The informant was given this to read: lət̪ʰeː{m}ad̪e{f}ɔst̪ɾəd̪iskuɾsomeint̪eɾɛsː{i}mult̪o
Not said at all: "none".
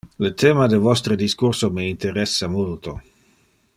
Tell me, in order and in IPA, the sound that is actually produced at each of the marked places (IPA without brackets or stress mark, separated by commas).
m, v, a